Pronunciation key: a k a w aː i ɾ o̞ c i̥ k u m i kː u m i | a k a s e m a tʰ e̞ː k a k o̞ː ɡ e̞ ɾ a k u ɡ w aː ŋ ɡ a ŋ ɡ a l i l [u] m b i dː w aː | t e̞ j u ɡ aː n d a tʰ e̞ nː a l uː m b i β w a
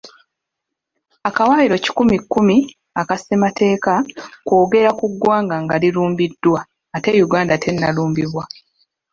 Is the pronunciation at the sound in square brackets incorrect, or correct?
incorrect